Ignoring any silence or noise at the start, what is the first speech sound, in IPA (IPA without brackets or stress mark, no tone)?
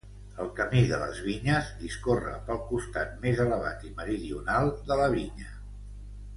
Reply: ə